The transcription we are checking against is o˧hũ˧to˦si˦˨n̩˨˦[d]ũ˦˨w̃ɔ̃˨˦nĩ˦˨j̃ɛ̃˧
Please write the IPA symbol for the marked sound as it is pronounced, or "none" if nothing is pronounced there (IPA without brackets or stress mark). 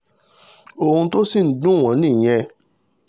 d